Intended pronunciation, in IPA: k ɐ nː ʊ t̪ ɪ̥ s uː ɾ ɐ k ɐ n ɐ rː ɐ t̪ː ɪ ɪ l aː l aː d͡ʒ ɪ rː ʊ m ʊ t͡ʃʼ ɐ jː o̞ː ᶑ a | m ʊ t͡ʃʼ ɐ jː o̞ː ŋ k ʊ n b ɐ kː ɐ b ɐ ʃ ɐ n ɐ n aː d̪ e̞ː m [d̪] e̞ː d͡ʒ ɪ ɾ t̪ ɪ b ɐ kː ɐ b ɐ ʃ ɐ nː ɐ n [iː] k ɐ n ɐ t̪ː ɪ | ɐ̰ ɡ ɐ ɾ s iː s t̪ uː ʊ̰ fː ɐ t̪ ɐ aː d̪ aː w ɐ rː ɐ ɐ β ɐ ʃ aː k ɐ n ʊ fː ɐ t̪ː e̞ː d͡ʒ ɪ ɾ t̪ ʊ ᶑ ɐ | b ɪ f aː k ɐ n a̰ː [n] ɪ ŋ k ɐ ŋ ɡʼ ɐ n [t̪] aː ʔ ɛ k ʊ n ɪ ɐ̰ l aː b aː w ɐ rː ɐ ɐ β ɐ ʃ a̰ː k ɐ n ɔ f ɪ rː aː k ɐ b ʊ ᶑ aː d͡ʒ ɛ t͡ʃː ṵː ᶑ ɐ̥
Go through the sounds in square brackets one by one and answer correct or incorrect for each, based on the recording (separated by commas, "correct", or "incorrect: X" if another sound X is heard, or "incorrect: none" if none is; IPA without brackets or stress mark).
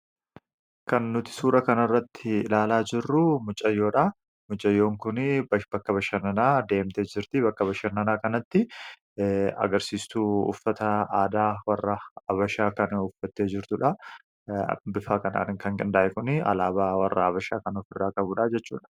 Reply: incorrect: t̪, incorrect: aː, correct, incorrect: d̪